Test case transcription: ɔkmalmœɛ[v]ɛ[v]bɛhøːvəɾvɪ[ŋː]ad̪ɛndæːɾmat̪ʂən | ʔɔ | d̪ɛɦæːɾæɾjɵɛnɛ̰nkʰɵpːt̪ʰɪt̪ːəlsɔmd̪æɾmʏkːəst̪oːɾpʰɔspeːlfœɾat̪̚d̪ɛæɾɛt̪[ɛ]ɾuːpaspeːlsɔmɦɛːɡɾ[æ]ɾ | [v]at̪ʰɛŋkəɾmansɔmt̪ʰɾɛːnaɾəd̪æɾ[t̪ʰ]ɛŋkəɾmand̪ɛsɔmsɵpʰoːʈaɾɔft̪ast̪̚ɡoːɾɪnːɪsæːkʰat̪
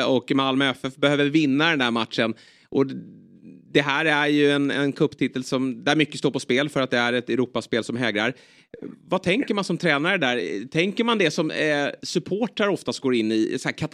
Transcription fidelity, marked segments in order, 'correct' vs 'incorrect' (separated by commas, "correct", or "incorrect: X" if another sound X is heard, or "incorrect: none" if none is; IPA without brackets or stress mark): incorrect: f, incorrect: f, incorrect: nː, correct, incorrect: a, correct, correct